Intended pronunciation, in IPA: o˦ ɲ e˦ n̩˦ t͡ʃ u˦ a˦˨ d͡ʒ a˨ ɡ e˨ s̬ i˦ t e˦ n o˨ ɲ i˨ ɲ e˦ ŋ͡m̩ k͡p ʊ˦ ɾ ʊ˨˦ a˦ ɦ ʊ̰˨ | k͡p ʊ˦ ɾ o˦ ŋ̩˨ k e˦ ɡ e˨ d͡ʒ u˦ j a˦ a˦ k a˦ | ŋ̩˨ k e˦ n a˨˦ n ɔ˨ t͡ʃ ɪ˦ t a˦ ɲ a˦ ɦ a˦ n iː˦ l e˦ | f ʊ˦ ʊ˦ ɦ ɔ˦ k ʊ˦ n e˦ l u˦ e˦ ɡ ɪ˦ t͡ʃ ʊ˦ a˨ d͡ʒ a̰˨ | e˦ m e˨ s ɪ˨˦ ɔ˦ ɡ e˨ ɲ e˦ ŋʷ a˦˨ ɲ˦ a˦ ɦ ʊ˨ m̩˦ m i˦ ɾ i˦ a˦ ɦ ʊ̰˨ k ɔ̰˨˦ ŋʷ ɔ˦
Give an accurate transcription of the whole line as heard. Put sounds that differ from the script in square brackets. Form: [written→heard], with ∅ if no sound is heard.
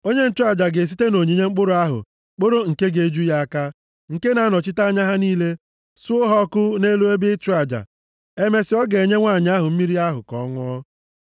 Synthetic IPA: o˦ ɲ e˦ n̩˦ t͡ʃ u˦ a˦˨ d͡ʒ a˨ ɡ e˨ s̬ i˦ t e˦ n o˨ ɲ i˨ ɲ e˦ ŋ͡m̩ k͡p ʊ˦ ɾ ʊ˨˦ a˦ ɦ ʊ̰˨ | k͡p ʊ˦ ɾ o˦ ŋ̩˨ k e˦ ɡ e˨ d͡ʒ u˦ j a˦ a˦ k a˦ | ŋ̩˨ k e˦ n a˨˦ n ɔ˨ t͡ʃ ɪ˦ t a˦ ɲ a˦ ɦ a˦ n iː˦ l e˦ | [f→s] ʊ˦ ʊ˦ ɦ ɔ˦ k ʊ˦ n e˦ l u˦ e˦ [ɡ→b] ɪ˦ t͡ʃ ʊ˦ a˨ d͡ʒ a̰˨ | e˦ m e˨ s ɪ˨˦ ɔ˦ ɡ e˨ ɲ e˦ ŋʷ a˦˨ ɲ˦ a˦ ɦ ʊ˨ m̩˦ m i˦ ɾ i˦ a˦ ɦ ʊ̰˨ k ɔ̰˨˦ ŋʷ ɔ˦